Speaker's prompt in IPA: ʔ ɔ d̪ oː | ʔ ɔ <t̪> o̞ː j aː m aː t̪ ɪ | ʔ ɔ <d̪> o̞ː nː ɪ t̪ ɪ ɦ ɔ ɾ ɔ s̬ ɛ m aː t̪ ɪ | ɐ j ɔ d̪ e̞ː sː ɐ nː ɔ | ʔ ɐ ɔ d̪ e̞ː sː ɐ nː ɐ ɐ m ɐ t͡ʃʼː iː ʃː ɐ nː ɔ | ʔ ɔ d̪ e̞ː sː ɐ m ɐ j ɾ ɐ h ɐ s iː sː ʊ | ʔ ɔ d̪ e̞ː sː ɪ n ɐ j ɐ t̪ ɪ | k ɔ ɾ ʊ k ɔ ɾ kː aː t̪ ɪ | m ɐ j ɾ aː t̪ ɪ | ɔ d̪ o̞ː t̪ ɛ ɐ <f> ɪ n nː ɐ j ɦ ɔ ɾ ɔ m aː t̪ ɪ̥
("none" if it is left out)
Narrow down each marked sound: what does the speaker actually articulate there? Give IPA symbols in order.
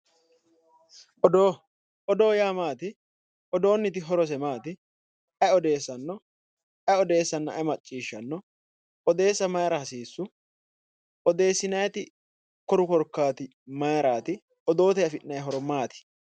d̪, d̪, f

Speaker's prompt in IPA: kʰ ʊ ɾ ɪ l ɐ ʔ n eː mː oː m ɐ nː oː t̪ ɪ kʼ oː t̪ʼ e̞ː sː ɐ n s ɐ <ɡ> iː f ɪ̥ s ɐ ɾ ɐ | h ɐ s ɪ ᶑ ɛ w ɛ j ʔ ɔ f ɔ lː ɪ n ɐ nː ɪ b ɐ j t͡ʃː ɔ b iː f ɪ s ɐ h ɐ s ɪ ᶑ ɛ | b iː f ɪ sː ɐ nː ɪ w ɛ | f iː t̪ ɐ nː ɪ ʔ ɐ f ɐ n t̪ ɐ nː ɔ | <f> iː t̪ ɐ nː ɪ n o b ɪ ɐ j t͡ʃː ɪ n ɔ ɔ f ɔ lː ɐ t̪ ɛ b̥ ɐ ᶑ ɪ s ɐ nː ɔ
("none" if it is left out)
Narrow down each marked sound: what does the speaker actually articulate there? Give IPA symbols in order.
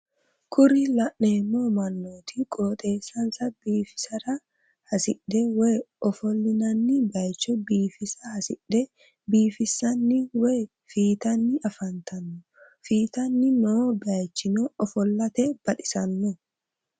b, f

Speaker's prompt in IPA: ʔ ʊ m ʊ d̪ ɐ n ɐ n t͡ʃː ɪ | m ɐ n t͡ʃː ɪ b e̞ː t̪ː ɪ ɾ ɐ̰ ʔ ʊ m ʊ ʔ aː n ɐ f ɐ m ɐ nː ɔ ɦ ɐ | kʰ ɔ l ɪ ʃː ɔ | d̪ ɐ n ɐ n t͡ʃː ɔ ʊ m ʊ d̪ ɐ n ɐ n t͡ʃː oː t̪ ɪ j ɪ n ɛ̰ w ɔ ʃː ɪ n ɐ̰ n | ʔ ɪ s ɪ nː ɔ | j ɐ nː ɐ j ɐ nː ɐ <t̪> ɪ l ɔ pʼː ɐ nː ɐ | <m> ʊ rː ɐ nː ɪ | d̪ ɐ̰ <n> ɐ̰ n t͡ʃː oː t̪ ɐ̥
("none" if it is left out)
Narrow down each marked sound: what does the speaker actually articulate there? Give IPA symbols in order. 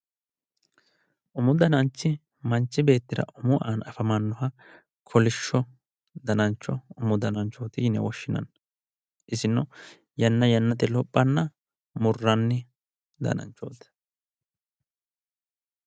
t̪, m, n

